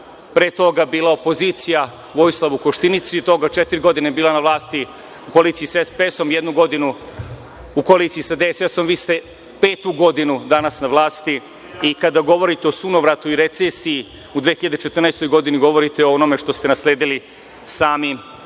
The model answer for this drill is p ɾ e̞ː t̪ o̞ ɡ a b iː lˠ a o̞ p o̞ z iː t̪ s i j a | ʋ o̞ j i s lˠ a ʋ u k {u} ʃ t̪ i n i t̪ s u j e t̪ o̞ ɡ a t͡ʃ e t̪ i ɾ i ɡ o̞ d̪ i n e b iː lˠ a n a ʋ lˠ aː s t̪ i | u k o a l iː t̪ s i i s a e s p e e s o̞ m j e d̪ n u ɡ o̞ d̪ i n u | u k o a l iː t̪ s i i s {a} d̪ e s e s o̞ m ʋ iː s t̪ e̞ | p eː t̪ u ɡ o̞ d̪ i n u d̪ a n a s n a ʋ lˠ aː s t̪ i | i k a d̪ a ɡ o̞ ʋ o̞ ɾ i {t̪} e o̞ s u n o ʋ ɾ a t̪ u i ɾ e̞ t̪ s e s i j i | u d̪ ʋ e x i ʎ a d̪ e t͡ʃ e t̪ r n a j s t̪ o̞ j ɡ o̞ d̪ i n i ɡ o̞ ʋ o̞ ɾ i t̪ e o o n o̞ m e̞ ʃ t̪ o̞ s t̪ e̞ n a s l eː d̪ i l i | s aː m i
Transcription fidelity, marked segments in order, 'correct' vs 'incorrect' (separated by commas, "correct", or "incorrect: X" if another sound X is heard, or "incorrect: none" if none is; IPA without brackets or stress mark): incorrect: o, correct, correct